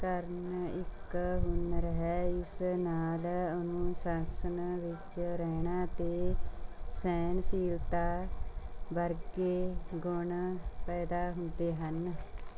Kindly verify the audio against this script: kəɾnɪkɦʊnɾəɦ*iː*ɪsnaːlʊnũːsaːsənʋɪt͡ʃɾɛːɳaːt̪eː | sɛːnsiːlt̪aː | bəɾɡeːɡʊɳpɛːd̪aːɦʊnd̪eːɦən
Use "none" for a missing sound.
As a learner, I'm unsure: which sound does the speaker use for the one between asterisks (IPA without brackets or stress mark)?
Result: ɛː